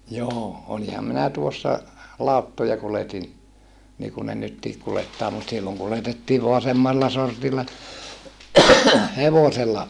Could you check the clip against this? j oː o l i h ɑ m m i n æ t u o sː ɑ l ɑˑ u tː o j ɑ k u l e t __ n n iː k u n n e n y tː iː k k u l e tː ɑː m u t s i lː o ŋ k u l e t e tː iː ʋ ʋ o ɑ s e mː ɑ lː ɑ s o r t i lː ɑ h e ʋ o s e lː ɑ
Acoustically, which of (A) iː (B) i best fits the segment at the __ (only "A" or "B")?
B